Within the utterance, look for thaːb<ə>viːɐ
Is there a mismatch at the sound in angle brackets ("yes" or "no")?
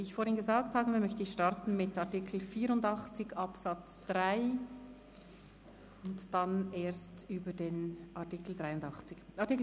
no